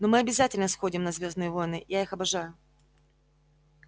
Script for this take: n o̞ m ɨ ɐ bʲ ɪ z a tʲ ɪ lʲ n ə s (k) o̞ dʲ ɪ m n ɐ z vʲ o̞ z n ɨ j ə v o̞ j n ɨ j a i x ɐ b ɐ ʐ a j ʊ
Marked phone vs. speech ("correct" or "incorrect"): incorrect